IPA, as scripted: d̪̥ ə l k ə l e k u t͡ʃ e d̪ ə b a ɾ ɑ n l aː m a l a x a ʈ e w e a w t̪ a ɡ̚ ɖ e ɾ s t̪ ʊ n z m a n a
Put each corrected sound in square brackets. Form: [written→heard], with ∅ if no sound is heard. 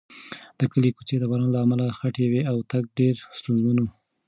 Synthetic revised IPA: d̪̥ ə [l→∅] k ə l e k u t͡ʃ e d̪ ə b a ɾ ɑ n l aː m a l a x a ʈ e w e a w t̪ a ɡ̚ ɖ e ɾ s t̪ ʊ n z m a n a